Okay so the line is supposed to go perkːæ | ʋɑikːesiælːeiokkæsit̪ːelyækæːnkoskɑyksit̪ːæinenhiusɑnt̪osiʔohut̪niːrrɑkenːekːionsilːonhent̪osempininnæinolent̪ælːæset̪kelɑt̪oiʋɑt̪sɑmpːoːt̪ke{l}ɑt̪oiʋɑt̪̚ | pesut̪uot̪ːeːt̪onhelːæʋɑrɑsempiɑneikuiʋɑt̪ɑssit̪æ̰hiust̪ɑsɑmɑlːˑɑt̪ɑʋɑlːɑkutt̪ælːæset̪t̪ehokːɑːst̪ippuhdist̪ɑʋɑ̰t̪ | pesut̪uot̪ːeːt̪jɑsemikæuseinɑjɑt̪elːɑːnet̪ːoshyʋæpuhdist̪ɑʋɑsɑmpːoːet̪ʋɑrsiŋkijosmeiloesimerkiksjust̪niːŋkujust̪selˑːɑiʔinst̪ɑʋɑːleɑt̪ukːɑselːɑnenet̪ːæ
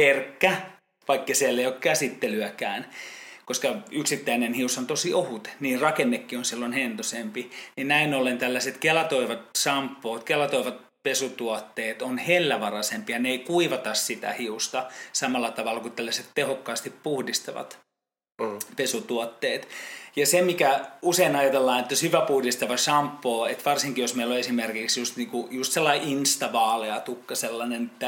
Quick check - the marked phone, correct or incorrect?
correct